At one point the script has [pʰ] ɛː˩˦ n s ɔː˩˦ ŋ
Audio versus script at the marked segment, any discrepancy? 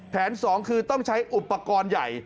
no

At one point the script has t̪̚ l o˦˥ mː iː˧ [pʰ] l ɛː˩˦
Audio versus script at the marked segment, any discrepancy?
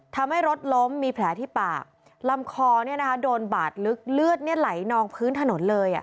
no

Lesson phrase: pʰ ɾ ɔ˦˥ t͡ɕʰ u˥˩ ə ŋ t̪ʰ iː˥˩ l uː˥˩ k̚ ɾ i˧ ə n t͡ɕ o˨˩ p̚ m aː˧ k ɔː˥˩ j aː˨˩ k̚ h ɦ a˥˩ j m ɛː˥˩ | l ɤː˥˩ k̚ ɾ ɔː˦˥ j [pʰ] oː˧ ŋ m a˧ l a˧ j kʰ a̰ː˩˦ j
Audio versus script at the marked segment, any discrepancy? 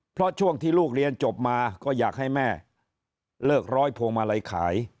no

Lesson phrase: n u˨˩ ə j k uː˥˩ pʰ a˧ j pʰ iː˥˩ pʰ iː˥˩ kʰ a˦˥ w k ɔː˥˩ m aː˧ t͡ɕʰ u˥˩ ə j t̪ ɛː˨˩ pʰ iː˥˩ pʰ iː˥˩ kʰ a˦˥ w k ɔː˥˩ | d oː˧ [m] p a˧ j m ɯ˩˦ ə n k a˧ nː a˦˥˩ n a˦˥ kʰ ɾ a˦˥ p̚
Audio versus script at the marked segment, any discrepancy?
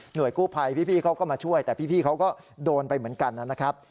yes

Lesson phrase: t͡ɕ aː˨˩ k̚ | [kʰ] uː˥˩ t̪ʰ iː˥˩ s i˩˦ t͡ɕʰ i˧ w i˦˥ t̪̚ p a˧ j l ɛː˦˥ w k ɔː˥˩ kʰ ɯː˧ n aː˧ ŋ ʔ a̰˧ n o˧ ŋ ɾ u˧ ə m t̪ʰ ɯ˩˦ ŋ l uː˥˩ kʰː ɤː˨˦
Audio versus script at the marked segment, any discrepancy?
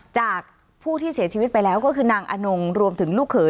yes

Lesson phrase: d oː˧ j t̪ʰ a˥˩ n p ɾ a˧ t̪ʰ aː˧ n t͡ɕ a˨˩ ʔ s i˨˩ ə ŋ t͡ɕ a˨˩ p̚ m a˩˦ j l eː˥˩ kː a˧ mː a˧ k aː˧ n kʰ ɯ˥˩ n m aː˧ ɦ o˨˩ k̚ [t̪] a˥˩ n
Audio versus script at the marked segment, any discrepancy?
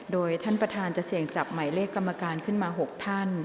yes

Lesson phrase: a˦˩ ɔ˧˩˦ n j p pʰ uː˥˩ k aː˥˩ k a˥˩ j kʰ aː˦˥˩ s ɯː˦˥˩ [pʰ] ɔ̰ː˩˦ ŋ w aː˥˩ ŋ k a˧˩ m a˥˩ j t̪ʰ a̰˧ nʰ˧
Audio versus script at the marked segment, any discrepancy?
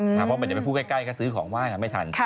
yes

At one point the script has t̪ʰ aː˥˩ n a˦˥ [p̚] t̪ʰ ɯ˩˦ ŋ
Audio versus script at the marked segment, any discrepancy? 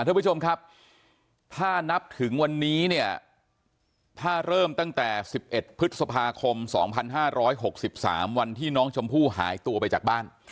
no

